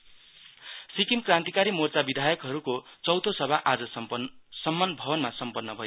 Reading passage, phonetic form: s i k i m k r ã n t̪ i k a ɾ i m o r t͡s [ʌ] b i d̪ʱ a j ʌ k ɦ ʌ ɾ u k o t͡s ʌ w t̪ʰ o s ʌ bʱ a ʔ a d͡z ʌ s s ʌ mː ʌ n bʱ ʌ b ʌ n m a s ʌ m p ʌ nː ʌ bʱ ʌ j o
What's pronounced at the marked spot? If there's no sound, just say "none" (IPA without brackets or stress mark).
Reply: a